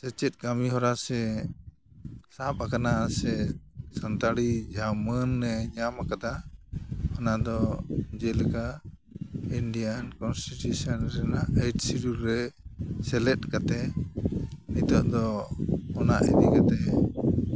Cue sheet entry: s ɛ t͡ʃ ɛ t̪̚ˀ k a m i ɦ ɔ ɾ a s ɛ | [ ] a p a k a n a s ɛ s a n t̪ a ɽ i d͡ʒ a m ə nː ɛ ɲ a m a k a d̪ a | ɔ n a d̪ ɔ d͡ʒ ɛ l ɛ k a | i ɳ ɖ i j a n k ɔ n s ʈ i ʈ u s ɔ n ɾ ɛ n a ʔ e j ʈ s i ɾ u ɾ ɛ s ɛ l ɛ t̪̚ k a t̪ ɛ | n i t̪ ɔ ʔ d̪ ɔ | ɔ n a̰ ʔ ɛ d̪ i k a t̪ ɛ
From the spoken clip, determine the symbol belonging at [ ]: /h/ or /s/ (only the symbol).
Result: s